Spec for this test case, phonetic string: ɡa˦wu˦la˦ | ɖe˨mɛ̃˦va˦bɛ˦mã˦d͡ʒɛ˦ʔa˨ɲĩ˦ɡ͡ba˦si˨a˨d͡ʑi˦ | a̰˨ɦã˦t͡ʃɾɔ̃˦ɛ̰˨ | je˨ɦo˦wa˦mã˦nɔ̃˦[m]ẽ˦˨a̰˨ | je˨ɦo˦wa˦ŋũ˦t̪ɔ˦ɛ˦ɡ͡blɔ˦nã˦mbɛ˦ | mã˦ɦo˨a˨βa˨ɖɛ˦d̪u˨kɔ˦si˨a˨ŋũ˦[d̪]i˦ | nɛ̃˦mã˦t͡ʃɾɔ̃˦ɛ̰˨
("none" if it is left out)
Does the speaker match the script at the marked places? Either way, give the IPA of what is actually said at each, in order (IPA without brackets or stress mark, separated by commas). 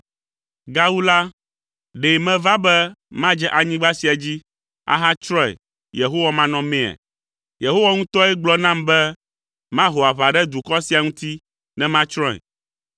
m, t̪